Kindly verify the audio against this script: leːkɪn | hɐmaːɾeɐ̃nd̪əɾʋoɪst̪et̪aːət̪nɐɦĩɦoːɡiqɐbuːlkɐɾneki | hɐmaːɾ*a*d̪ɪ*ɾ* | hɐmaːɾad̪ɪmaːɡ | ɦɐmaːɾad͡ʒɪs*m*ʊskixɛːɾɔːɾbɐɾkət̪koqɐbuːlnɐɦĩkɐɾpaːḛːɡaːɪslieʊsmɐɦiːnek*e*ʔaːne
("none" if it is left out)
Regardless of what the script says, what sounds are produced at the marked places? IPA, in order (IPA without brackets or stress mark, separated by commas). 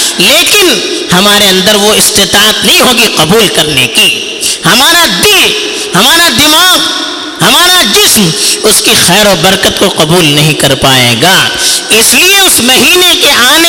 a, l, m, e